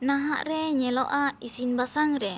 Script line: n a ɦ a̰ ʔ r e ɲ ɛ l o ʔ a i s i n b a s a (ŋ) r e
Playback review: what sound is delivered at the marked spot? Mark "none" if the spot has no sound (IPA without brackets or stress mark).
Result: ŋ